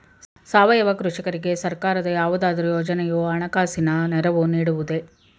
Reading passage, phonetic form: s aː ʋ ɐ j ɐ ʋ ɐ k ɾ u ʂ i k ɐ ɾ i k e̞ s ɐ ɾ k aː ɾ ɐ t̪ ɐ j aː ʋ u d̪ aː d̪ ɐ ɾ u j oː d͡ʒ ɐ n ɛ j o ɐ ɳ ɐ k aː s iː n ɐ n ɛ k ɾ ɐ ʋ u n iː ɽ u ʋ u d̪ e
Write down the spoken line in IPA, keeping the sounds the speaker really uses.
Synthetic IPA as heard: s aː ʋ ɐ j ɐ ʋ ɐ k ɾ u ʂ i k ɐ ɾ i ɡ e̞ s ɐ ɾ k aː ɾ ɐ d̪ ɐ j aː ʋ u d̪ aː d̪ ɐ ɾ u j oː d͡ʒ ɐ n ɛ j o ɐ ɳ ɐ k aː s i n ɐ n ɛ ɾ ɐ ʋ u n iː ɽ u ʋ u d̪ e